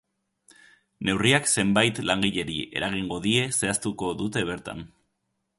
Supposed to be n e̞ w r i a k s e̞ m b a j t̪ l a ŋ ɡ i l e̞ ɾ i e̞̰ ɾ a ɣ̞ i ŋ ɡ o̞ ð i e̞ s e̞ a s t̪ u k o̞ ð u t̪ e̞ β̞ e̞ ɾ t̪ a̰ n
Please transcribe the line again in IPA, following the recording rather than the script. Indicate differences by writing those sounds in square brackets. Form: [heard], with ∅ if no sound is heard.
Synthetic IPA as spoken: n e̞ w r i a k s e̞ m b a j t̪ l a ŋ ɡ i [ʎ] e̞ ɾ i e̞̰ ɾ a ɣ̞ i ŋ ɡ o̞ ð i e̞ s e̞ a s t̪ u k o̞ ð u t̪ e̞ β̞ e̞ ɾ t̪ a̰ n